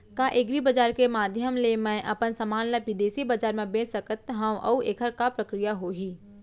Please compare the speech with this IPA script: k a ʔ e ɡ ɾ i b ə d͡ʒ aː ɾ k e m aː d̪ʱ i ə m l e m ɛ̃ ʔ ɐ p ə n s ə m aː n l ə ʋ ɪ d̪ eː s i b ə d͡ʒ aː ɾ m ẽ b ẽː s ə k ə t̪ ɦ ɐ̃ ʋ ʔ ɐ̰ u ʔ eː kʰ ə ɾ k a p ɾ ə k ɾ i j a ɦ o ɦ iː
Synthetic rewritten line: k a ʔ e ɡ ɾ i b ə d͡ʒ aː ɾ k e m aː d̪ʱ j ə m l e m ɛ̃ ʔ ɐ p ə n s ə m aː n l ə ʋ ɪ d̪ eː s i b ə d͡ʒ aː ɾ m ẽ b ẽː s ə k ə t̪ ɦ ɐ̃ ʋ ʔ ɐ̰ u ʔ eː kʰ ə ɾ k a p ɾ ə k ɾ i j a ɦ o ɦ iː